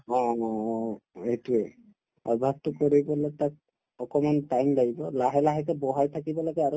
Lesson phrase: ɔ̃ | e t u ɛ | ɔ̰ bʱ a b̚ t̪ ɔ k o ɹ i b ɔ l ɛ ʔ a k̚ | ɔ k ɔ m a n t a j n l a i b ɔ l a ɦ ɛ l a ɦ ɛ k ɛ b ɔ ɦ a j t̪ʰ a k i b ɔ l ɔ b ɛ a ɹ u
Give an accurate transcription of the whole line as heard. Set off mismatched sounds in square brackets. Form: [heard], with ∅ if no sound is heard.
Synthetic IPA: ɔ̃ | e t u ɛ | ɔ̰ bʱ a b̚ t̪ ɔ k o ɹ i b ɔ l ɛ [t] a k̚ | ɔ k ɔ m a n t a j [m] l a i b ɔ l a ɦ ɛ l a ɦ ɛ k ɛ b ɔ ɦ a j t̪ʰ a k i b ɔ l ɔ [ɡ] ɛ a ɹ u

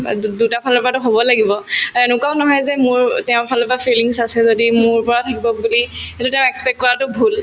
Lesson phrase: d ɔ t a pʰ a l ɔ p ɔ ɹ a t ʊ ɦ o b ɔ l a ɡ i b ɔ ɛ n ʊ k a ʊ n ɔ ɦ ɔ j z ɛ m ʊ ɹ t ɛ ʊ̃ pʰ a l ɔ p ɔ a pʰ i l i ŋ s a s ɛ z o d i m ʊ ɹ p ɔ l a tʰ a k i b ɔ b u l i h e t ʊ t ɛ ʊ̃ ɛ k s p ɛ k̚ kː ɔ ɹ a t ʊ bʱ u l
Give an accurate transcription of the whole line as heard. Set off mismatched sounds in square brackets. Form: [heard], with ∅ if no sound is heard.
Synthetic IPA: d [u] t a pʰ a l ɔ p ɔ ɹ a t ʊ ɦ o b ɔ l a ɡ i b ɔ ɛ n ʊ k a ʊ n ɔ ɦ ɔ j z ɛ m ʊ ɹ t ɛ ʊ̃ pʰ a l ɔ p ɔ a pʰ i l i ŋ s a s ɛ z o d i m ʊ ɹ p ɔ [ɹ] a tʰ a k i b ɔ b u l i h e t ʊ t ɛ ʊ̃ ɛ k s p ɛ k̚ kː ɔ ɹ a t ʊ bʱ u l

